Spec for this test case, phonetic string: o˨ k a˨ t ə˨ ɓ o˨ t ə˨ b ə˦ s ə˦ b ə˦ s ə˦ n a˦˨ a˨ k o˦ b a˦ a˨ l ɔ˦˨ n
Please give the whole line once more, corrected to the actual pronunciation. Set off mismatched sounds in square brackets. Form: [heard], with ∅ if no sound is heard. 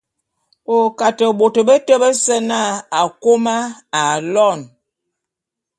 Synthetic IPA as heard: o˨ k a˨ t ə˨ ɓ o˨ t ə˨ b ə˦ [t] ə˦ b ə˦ s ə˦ n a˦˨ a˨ k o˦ [m] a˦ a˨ l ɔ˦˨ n